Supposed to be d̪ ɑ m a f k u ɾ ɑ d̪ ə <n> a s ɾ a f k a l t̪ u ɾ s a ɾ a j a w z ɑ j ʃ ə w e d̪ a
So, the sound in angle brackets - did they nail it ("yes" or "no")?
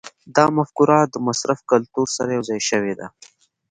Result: no